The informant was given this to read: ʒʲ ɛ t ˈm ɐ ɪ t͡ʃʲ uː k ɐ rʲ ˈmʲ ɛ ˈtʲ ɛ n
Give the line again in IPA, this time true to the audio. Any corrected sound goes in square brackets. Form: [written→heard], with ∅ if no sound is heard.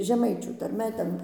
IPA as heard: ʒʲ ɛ [t→∅] ˈm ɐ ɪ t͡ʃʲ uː [k→t] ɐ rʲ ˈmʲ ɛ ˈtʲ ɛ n

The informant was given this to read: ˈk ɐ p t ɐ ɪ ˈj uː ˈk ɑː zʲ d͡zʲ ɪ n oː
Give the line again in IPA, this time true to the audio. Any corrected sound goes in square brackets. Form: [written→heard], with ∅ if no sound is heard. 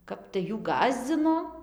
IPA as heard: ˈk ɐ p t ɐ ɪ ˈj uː [ˈk→ˈɡ] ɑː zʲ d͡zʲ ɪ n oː

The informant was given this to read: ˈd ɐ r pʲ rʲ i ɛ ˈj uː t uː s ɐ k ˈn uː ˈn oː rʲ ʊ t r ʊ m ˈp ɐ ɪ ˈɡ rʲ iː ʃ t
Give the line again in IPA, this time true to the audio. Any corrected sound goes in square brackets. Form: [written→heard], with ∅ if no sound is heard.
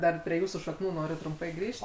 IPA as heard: ˈd ɐ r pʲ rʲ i ɛ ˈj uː [t→s] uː [s→ʃ] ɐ k ˈn uː ˈn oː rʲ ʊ t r ʊ m ˈp ɐ ɪ ˈɡ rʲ iː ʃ t

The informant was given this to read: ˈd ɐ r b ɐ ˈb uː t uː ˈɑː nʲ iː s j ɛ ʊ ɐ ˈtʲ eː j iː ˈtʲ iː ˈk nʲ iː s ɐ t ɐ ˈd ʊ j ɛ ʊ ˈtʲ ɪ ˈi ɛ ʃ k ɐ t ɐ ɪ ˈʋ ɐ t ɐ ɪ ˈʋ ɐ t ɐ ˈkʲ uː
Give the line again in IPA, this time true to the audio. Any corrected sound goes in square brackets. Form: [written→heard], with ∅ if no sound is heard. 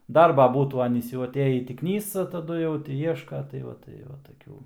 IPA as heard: ˈd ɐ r b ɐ ˈb uː t uː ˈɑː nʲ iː s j ɛ ʊ ɐ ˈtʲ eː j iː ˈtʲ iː ˈk nʲ iː s ɐ t ɐ ˈd ʊ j ɛ ʊ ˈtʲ ɪ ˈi ɛ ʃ k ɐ t ɐ ɪ ˈʋ ɐ t ɐ ɪ ˈʋ ɐ t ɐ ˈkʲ uː

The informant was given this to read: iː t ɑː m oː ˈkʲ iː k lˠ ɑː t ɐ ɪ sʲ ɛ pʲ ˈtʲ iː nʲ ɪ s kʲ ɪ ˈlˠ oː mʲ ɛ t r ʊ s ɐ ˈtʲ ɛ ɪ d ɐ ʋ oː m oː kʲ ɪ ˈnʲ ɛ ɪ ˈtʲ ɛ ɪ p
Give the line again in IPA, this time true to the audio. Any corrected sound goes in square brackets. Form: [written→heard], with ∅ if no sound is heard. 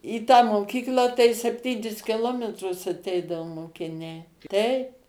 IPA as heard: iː t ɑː m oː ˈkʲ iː k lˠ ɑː t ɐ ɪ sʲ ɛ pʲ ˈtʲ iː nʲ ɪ s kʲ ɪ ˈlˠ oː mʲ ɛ t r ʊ s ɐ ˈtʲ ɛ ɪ d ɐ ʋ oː m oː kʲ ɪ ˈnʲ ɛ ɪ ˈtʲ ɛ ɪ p

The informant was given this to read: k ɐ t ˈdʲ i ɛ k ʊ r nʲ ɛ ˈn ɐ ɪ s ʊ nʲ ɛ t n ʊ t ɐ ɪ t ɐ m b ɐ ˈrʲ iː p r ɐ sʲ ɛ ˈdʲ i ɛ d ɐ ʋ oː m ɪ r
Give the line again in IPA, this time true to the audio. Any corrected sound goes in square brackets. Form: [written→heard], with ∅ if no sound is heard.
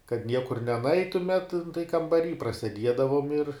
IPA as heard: k ɐ t [ˈdʲ→ˈnʲ] i ɛ k ʊ r nʲ ɛ ˈn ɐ ɪ [s→t] ʊ [nʲ→mʲ] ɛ t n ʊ t ɐ ɪ [t→k] ɐ m b ɐ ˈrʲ iː p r ɐ sʲ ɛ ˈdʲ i ɛ d ɐ ʋ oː m ɪ r

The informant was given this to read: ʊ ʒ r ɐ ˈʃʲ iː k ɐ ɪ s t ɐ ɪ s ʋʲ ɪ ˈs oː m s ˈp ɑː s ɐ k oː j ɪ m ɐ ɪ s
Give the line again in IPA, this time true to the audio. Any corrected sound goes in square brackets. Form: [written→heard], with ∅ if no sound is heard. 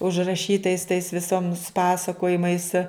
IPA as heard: ʊ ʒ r ɐ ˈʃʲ iː [k→t] ɐ ɪ s t ɐ ɪ s ʋʲ ɪ ˈs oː m s ˈp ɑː s ɐ k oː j ɪ m ɐ ɪ s

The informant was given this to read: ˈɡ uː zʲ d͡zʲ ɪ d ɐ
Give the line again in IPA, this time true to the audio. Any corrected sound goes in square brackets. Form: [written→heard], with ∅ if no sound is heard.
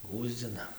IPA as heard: ˈɡ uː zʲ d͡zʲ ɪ [d→n] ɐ

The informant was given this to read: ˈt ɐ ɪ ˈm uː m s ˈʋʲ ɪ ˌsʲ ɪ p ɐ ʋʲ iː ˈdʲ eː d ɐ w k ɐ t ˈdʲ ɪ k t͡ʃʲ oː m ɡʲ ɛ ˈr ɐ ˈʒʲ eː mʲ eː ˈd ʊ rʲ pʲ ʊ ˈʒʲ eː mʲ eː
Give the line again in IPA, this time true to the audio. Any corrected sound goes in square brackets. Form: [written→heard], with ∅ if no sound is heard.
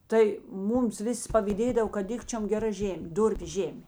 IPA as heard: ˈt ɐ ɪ ˈm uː m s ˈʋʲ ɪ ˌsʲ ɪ p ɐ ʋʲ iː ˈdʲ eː d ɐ w k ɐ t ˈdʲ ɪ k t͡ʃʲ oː m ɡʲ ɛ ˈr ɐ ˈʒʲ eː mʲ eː ˈd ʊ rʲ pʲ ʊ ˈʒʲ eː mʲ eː

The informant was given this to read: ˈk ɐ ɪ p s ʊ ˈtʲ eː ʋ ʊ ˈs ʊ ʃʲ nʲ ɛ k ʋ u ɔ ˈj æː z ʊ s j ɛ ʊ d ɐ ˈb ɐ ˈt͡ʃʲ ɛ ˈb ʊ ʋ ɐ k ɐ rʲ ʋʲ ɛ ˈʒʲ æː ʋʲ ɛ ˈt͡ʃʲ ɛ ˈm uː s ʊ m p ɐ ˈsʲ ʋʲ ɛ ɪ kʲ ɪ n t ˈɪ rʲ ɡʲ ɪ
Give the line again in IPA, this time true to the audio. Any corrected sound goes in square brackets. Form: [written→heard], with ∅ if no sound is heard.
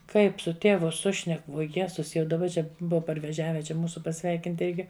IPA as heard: ˈk ɐ ɪ p s ʊ ˈtʲ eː ʋ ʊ ˈs ʊ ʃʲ nʲ ɛ k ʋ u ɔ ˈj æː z ʊ s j ɛ ʊ d ɐ ˈb ɐ ˈt͡ʃʲ ɛ ˈb ʊ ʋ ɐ [k→p] ɐ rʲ ʋʲ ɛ ˈʒʲ æː ʋʲ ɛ ˈt͡ʃʲ ɛ ˈm uː s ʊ [m→∅] p ɐ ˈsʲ ʋʲ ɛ ɪ kʲ ɪ n t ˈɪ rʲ ɡʲ ɪ

